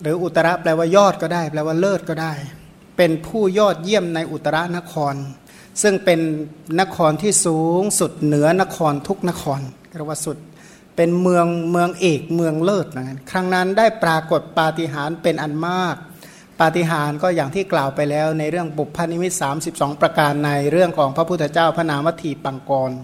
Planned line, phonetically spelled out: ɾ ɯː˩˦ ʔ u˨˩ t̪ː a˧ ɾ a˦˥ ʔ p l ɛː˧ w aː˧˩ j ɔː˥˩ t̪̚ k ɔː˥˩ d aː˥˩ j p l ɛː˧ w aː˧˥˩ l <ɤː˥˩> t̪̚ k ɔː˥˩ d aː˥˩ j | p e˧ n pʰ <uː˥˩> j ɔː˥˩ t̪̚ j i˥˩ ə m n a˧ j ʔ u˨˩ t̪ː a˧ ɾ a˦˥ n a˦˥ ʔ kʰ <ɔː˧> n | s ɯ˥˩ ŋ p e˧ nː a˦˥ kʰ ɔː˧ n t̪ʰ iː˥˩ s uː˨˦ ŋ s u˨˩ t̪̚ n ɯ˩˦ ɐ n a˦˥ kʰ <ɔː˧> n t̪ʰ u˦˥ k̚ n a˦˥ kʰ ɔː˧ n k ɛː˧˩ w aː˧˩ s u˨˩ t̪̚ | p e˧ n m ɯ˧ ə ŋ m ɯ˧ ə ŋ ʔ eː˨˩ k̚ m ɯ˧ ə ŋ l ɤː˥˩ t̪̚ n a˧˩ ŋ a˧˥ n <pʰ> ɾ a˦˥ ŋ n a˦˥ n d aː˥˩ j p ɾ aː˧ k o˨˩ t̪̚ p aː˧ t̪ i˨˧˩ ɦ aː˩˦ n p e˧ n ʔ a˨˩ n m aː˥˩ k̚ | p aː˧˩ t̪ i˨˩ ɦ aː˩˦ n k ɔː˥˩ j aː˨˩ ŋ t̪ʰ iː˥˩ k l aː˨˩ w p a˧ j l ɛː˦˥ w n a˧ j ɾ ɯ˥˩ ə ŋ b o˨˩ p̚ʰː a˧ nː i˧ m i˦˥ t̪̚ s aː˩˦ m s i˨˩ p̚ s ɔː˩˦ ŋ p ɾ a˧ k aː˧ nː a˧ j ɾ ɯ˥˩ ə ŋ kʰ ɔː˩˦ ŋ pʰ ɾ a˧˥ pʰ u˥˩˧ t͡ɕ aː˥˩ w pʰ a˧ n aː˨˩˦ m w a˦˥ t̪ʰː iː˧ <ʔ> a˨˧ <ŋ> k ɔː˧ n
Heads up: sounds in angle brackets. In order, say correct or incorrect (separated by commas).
correct, correct, correct, correct, incorrect, incorrect, correct